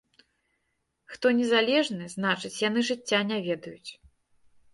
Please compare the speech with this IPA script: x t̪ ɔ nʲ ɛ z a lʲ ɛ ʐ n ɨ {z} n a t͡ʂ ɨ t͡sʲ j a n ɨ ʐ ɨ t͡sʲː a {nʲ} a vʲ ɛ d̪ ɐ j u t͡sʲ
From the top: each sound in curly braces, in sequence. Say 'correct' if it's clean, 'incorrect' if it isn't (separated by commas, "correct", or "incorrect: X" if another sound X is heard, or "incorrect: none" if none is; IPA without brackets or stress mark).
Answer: correct, correct